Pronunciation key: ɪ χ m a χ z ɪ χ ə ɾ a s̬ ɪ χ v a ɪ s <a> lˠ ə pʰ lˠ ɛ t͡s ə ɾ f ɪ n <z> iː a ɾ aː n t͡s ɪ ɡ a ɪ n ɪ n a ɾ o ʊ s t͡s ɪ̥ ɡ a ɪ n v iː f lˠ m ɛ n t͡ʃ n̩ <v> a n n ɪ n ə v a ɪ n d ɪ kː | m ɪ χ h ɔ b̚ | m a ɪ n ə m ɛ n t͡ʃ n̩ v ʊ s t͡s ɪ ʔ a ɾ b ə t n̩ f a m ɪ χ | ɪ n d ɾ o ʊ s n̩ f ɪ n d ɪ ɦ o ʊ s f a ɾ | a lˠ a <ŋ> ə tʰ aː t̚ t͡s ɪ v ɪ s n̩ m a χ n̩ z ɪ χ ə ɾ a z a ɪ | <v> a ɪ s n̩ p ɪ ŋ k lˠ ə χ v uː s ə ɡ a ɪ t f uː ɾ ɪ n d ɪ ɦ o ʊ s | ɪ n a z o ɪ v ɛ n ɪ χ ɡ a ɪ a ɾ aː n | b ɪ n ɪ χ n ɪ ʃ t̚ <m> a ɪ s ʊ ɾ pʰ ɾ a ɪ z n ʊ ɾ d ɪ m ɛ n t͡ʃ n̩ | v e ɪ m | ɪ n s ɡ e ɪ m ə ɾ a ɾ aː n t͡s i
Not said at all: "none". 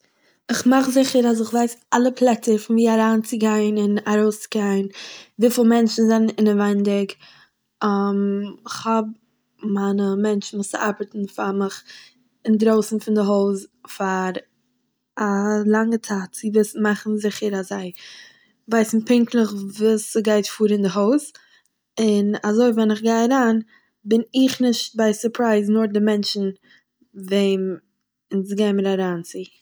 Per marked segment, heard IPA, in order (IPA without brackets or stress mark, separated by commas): a, v, z, ŋ, v, b